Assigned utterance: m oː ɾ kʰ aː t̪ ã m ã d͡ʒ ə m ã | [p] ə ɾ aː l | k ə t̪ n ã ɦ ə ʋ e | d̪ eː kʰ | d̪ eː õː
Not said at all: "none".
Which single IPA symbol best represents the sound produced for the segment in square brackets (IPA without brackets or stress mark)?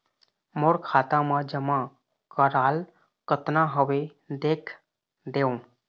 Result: k